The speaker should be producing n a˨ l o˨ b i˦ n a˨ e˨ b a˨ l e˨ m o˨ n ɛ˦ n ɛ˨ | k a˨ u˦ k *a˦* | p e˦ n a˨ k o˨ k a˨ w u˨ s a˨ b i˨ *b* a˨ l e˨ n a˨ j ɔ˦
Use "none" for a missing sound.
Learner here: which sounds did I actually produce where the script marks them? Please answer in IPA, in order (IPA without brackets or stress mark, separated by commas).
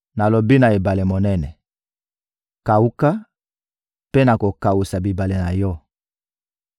a˦, b